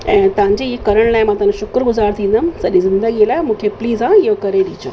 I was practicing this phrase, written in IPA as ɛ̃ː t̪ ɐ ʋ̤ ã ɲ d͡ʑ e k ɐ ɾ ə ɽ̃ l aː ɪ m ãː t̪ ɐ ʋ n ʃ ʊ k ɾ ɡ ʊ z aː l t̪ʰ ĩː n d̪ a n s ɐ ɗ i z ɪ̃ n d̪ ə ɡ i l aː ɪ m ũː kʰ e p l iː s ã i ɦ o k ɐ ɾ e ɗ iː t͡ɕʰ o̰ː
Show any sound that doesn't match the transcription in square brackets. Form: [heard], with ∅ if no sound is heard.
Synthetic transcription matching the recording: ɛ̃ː t̪ ɐ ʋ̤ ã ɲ d͡ʑ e k ɐ ɾ ə ɽ̃ l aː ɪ m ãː t̪ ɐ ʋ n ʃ ʊ k ɾ ɡ ʊ z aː [ɾ] t̪ʰ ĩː n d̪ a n s ɐ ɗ i z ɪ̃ n d̪ ə ɡ i l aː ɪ m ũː kʰ e p l iː [z] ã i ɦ o k ɐ ɾ e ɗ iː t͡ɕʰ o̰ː